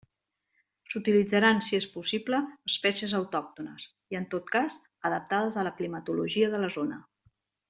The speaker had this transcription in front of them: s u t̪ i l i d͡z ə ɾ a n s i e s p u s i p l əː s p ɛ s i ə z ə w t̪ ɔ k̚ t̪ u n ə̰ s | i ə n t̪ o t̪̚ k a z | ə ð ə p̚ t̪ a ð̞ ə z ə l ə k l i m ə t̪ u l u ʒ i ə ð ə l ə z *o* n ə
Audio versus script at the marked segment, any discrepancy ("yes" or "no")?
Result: no